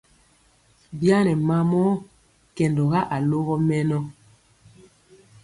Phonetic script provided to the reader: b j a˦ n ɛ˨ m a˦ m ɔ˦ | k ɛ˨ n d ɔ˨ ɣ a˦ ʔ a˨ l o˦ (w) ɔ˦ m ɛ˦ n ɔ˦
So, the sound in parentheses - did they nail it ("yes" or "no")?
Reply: no